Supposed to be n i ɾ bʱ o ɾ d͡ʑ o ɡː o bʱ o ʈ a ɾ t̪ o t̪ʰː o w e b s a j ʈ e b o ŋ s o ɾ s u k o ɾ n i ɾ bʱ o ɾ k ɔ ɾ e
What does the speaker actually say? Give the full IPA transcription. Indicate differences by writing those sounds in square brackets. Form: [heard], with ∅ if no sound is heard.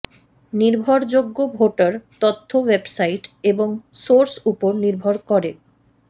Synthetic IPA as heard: n i ɾ bʱ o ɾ d͡ʑ o ɡː o bʱ o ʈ a ɾ t̪ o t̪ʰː o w e b s a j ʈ e b o ŋ s o ɾ s u [p] o ɾ n i ɾ bʱ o ɾ k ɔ ɾ e